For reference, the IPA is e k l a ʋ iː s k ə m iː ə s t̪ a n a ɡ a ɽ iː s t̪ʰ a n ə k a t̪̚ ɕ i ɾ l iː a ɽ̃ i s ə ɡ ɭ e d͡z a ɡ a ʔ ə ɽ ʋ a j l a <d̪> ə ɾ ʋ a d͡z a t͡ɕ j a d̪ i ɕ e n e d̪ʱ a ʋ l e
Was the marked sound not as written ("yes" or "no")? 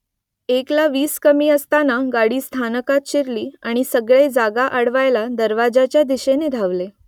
no